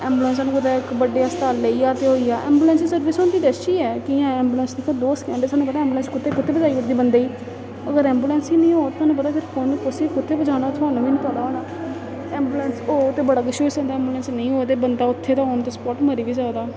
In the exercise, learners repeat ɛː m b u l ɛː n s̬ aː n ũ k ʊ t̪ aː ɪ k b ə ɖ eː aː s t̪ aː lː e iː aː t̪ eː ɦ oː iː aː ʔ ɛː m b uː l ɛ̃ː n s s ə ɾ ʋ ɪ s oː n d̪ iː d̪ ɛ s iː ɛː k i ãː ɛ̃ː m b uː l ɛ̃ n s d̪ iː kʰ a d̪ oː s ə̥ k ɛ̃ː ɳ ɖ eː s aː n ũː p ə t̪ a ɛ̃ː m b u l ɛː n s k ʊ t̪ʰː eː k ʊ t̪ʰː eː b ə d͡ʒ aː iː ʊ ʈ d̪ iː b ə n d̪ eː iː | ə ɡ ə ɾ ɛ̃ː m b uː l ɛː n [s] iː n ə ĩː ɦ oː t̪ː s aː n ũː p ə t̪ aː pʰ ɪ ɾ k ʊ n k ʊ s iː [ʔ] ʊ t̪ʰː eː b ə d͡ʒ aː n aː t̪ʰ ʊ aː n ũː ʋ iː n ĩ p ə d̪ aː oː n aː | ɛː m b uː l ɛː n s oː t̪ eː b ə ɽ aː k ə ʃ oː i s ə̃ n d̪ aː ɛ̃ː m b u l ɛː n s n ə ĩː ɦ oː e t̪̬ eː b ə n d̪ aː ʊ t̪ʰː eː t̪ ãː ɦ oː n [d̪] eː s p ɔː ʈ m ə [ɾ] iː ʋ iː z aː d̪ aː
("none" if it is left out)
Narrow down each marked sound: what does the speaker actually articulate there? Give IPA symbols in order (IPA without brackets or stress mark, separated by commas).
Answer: s, k, t̪, ɾ